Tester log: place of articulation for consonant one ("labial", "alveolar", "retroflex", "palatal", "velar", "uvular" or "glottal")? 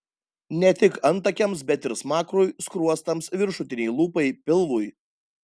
alveolar